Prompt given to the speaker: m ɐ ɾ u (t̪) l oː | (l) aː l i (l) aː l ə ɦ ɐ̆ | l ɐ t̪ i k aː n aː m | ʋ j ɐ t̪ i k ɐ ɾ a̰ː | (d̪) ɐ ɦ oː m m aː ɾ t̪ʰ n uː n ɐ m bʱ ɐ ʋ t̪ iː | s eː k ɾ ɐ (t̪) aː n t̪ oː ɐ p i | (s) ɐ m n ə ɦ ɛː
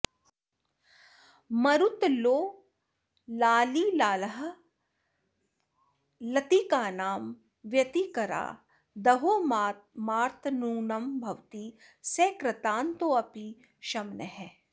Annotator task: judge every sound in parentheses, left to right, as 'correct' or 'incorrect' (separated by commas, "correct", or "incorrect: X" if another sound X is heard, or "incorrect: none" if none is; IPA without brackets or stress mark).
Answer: correct, correct, correct, correct, correct, incorrect: ʃ